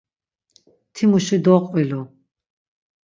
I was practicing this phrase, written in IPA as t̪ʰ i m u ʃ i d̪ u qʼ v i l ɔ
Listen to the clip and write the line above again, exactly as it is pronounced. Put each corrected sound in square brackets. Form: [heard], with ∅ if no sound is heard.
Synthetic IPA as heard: t̪ʰ i m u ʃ i d̪ [ɔ] qʼ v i l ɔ

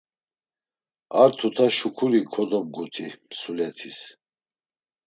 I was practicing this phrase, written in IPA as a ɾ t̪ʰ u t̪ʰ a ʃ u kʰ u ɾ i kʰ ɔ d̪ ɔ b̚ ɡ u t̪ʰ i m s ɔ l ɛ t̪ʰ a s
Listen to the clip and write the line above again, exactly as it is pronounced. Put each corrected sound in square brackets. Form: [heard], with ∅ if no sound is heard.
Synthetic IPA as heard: a ɾ t̪ʰ u t̪ʰ a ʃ u kʰ u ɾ i kʰ ɔ d̪ ɔ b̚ ɡ u t̪ʰ i m s [u] l ɛ t̪ʰ [i] s

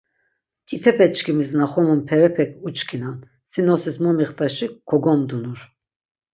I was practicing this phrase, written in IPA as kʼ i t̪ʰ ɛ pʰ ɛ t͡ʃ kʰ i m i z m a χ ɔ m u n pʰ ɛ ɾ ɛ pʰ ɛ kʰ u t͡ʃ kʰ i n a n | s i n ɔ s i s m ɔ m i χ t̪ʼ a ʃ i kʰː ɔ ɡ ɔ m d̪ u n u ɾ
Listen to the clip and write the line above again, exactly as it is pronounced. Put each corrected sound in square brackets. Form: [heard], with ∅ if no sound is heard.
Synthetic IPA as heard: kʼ i t̪ʰ ɛ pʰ ɛ t͡ʃ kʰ i m i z [n] a χ ɔ m u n pʰ ɛ ɾ ɛ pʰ ɛ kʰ u t͡ʃ kʰ i n a n | s i n ɔ s i s m ɔ m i χ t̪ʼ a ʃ i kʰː ɔ ɡ ɔ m d̪ u n u ɾ

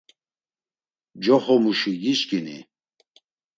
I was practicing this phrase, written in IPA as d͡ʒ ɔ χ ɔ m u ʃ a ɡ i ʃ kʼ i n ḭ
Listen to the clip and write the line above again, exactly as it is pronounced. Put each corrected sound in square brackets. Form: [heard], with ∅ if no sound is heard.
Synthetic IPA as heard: d͡ʒ ɔ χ ɔ m u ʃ [i] ɡ i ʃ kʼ i n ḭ

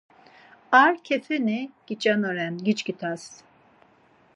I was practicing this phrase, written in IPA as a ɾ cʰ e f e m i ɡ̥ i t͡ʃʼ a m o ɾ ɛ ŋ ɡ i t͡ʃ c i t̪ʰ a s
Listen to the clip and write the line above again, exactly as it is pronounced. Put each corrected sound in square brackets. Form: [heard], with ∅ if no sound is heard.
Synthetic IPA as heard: a ɾ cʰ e f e [n] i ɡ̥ i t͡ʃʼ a [n] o ɾ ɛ [n] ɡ i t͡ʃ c i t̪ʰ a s

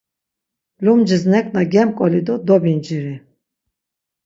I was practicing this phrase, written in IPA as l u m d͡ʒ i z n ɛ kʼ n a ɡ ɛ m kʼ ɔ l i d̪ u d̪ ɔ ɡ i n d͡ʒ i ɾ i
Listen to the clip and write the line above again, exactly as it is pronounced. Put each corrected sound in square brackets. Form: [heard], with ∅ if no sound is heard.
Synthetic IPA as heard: l u m d͡ʒ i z n ɛ kʼ n a ɡ ɛ m kʼ ɔ l i d̪ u d̪ ɔ [b] i n d͡ʒ i ɾ i

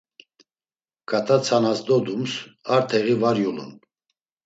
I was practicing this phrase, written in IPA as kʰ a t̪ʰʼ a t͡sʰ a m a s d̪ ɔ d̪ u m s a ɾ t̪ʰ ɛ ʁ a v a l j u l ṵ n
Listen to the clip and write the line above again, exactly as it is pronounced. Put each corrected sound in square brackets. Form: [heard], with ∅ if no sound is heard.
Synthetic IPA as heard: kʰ a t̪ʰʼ a t͡sʰ a [n] a s d̪ ɔ d̪ u m s a ɾ t̪ʰ ɛ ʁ [i] v a [ɾ] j u l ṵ n

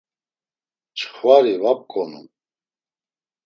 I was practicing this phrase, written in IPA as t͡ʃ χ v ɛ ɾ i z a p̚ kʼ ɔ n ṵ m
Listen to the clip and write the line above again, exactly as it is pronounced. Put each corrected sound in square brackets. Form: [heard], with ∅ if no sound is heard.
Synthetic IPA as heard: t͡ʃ χ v [a] ɾ i [v] a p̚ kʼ ɔ n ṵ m

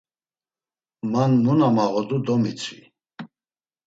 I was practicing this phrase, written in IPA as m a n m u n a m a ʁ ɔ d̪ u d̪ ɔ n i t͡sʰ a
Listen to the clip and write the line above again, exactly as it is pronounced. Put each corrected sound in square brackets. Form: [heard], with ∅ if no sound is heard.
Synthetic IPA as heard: m a n m u n a m a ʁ ɔ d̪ u d̪ ɔ [m] i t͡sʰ [i]

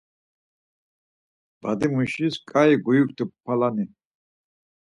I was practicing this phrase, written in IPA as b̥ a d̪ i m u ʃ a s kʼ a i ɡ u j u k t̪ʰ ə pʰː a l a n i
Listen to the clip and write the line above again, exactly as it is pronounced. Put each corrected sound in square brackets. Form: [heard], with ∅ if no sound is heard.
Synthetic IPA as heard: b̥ a d̪ i m u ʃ [i] s kʼ a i ɡ u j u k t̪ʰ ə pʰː a l a n i

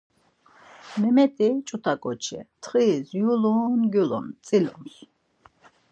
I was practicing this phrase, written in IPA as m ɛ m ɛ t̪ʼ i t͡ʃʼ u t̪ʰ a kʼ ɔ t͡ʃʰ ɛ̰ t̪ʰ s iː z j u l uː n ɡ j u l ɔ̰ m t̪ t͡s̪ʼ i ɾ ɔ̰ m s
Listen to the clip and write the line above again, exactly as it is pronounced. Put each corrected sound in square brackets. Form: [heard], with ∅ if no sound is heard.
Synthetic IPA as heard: m ɛ m ɛ t̪ʼ i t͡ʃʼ u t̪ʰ a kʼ ɔ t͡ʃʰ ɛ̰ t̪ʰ [χ] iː z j u l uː n ɡ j u l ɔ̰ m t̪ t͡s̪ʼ i [l] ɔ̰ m s

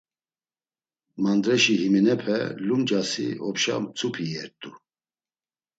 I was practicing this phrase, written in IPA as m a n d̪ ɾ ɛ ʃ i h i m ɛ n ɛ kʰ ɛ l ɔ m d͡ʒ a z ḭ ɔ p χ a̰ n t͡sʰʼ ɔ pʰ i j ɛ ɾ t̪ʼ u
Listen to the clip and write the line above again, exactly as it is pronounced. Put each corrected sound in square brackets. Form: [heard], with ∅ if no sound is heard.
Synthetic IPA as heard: m a n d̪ ɾ ɛ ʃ i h i m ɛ n ɛ [pʰ] ɛ l [u] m d͡ʒ a [s] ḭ ɔ p [ʃ] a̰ [m] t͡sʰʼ [u] pʰ i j ɛ ɾ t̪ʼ u

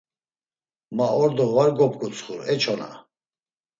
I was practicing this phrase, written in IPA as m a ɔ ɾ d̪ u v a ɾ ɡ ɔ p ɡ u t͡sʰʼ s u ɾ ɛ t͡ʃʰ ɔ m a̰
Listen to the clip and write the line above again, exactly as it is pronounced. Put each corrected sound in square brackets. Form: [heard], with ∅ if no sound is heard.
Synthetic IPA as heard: m a ɔ ɾ d̪ [ɔ] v a ɾ ɡ ɔ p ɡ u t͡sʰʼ [χ] u ɾ ɛ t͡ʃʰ ɔ [n] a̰

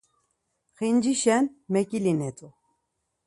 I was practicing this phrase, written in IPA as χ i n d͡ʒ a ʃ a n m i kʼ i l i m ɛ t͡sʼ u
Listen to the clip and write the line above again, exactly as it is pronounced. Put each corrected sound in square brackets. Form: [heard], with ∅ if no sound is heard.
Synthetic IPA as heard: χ i n d͡ʒ [i] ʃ [ɛ] n m [ɛ] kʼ i l i [n] ɛ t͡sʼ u

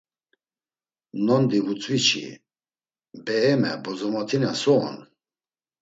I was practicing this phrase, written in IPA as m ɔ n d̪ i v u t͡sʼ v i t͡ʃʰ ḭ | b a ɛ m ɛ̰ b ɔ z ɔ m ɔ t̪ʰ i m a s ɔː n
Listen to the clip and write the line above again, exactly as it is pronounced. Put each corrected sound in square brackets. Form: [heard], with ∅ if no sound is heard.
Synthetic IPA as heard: [n] ɔ n d̪ i v u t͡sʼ v i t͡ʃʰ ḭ | b [ɛ] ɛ m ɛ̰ b ɔ z ɔ m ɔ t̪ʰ i [n] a s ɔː n

